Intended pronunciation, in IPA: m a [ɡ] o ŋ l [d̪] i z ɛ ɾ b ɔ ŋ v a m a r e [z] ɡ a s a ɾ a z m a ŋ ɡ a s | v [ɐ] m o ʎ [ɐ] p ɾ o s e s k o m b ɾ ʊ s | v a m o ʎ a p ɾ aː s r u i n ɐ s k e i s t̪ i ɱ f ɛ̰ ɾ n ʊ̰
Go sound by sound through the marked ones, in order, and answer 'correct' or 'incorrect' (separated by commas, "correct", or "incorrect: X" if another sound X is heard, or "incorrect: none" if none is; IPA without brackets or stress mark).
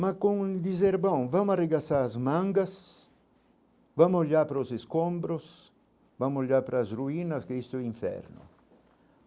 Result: incorrect: k, correct, incorrect: none, incorrect: a, incorrect: a